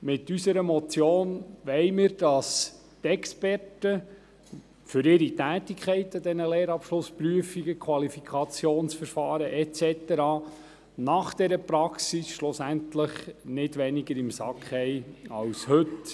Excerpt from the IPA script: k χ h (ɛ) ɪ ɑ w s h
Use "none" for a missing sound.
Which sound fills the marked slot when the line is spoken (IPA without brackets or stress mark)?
ɛ